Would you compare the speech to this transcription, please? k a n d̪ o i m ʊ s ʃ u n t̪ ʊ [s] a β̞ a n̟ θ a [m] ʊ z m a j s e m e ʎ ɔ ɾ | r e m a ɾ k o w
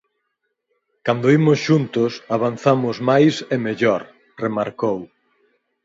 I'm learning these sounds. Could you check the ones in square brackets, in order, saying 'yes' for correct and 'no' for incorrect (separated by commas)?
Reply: yes, yes